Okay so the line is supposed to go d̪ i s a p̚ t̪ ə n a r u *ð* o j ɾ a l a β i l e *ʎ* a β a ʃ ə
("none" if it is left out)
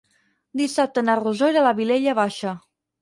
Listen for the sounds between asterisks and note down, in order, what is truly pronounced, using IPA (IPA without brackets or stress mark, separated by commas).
z, ʎ